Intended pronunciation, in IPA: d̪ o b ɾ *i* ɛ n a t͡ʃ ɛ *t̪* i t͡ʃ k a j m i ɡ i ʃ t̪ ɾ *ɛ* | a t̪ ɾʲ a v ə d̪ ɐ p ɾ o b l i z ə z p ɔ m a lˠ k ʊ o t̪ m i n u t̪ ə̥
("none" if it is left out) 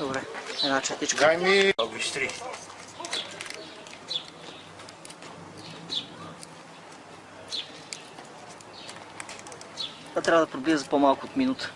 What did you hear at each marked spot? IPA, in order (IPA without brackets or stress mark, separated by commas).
ɛ, t̪, i